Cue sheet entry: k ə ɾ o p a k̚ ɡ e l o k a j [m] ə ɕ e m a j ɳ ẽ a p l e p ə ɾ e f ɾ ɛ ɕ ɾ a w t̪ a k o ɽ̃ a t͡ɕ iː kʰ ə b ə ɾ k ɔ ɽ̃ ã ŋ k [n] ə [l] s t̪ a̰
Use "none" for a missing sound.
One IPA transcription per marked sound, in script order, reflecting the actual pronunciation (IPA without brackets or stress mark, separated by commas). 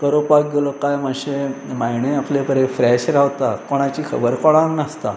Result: m, n, none